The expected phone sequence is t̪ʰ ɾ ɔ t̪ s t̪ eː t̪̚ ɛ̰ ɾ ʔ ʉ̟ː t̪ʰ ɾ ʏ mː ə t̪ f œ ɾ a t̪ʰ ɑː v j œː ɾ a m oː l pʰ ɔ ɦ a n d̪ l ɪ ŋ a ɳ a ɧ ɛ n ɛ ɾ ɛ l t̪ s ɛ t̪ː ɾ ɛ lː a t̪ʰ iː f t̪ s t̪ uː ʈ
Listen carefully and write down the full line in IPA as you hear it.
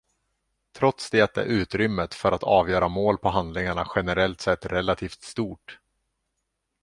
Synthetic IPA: t̪ʰ ɾ ɔ t̪ s d̪ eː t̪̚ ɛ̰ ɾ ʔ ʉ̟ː t̪ ɾ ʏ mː ə t̪ f œ ɾ a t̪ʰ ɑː v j œː ɾ a m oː l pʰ ɔ ɦ a n d̪ l ɪ ŋ a ɳ a ɧ ɛ n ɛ ɾ ɛ l t̪ s ɛ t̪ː ɾ ɛ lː a t̪ʰ iː f t̪ s t̪ uː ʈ